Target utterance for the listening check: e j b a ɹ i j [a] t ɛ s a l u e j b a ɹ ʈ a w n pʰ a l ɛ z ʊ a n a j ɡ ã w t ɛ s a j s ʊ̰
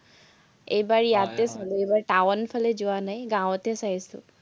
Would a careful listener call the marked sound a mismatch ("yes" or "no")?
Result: no